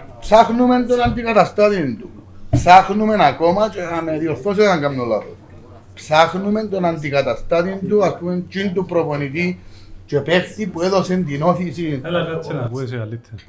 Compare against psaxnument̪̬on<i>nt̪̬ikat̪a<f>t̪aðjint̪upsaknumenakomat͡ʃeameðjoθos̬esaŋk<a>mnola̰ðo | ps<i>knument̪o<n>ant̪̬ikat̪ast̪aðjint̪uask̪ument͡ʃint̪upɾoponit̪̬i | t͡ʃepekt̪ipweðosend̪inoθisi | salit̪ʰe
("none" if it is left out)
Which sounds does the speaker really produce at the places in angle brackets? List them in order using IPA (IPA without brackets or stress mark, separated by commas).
a, s, a, a, n